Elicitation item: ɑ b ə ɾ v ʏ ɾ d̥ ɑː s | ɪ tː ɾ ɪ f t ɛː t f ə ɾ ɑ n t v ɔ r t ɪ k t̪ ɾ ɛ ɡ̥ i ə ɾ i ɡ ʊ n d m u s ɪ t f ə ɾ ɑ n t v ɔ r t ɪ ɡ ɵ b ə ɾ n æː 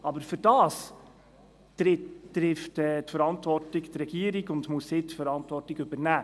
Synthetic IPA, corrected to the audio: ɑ b ə ɾ f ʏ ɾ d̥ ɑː s | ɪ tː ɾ ɪ f t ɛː t f ə ɾ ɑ n t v ɔ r t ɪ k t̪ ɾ ɛ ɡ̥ i ə ɾ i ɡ ʊ n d m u s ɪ t f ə ɾ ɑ n t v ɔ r t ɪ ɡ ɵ b ə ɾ n æː